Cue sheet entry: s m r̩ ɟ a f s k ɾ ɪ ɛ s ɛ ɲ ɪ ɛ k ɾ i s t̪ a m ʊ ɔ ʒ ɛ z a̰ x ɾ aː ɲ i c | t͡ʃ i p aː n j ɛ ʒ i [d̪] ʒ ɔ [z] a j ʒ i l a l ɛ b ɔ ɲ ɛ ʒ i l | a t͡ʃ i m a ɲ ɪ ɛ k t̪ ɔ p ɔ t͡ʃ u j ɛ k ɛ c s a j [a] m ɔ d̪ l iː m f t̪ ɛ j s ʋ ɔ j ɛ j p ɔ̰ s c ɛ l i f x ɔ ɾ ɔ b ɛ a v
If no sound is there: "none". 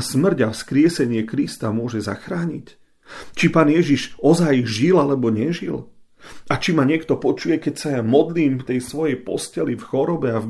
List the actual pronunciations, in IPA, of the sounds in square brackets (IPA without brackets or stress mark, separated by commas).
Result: none, z, a